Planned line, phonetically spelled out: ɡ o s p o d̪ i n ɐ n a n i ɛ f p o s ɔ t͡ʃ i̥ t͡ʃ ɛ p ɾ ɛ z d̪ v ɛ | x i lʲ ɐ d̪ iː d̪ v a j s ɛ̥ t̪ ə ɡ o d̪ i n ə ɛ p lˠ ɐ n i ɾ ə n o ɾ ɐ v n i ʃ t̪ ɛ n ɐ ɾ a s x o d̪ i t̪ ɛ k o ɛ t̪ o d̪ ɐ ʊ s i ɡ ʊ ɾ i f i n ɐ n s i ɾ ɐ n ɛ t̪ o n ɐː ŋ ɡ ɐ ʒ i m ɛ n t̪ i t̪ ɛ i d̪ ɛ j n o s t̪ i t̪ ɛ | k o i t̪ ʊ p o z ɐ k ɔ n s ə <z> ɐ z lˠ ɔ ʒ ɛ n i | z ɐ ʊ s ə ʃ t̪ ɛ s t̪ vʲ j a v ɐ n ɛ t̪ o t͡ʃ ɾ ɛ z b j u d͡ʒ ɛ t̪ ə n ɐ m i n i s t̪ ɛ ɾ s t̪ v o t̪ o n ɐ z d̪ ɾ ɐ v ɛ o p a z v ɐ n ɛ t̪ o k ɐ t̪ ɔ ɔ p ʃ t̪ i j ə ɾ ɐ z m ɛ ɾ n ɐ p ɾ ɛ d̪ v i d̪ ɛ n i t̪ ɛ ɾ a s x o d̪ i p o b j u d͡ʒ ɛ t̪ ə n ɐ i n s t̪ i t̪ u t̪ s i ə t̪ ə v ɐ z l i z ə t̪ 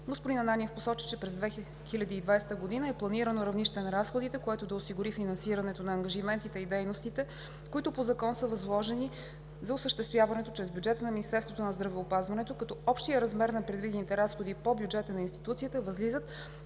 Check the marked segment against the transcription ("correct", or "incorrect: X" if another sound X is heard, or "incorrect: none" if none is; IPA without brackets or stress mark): incorrect: v